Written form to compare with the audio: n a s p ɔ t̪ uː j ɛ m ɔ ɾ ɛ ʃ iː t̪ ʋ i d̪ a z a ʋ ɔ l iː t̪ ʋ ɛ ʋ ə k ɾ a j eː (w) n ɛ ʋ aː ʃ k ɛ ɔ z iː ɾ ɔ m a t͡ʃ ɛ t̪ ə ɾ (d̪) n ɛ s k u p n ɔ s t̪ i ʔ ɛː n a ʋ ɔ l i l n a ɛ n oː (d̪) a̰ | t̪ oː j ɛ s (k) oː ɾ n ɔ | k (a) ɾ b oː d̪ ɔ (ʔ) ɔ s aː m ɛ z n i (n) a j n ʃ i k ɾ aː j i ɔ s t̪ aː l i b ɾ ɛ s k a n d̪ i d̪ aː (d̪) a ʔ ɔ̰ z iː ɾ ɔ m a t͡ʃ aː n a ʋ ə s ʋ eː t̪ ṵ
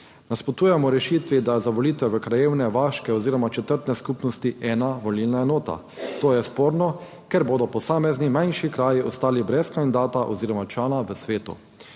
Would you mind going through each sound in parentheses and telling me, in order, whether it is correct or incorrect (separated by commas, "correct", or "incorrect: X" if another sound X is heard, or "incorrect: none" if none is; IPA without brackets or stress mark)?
correct, incorrect: t̪, incorrect: t̪, incorrect: p, incorrect: ɛ, incorrect: p, incorrect: m, incorrect: t̪